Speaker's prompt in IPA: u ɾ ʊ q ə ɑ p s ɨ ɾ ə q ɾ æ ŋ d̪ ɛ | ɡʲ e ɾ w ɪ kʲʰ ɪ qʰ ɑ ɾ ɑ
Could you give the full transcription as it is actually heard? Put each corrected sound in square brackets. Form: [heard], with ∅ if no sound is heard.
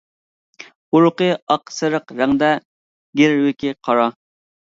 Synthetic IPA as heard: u ɾ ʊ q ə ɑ [q] s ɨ ɾ ə q ɾ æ ŋ d̪ ɛ | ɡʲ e ɾ w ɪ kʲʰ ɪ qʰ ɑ ɾ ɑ